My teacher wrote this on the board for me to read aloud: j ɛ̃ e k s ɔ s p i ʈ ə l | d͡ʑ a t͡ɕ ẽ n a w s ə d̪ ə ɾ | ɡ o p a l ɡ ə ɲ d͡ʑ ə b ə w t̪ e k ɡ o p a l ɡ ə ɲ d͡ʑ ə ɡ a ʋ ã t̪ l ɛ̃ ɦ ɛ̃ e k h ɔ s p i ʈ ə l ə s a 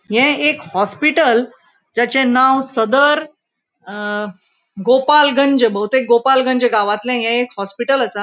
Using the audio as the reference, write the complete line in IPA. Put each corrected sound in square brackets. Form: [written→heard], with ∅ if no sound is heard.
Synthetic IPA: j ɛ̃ e k [s→h] ɔ s p i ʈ ə l | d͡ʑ a t͡ɕ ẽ n a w s ə d̪ ə ɾ | ɡ o p a l ɡ ə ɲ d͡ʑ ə b ə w t̪ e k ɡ o p a l ɡ ə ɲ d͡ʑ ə ɡ a ʋ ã t̪ l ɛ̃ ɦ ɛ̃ e k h ɔ s p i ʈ ə l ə s a